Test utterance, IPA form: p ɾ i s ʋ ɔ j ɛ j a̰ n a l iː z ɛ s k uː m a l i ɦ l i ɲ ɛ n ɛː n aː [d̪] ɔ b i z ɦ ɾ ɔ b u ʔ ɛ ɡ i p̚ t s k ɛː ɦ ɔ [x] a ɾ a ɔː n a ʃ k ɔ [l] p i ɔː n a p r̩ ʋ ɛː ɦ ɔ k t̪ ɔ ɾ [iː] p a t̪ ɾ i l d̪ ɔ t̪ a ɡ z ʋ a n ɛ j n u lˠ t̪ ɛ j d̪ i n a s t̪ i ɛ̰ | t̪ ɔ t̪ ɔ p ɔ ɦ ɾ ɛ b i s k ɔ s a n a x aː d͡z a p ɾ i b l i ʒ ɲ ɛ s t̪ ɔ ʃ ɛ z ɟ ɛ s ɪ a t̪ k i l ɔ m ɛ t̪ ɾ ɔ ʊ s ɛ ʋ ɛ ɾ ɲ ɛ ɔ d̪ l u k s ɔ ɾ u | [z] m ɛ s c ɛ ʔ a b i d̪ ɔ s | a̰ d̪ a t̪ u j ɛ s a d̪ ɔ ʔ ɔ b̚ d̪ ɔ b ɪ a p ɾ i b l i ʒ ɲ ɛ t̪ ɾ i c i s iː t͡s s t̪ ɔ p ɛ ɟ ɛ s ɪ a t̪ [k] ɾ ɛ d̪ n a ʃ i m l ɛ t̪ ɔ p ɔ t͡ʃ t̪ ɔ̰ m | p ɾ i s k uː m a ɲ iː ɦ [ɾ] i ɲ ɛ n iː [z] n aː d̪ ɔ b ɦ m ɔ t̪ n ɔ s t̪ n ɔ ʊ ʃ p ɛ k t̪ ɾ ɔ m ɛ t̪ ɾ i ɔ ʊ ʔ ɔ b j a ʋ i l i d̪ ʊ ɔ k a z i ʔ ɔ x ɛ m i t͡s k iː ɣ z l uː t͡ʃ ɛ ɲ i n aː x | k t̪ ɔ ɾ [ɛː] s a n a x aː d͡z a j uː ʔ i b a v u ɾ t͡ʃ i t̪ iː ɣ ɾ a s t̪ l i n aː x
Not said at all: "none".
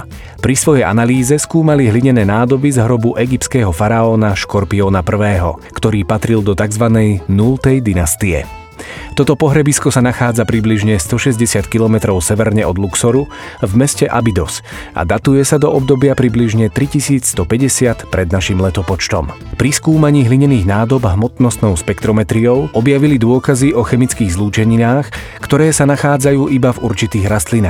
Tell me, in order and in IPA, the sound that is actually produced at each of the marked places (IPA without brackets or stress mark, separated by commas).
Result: d̪, f, ɾ, iː, v, p, l, ɣ, ɛː